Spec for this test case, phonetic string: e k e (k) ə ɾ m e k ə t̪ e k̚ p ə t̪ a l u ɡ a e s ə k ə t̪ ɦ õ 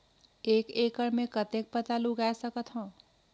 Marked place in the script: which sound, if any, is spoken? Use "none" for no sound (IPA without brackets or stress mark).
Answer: k